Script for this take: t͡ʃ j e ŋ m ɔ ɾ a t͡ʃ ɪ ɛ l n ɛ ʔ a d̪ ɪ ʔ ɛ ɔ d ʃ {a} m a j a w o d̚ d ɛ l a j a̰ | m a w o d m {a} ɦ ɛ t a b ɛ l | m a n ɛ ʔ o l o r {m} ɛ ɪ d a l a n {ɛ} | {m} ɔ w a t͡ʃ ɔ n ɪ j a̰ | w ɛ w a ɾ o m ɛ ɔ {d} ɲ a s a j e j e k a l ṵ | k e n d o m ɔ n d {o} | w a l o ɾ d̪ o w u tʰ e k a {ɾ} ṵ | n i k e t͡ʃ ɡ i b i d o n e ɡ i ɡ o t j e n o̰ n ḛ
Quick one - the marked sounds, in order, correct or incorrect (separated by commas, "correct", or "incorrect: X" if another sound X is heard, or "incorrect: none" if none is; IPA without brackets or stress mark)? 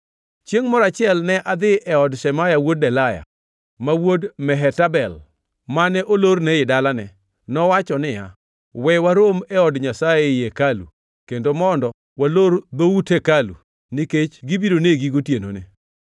incorrect: ɛ, incorrect: ɛ, incorrect: n, correct, incorrect: n, correct, incorrect: ɔ, incorrect: l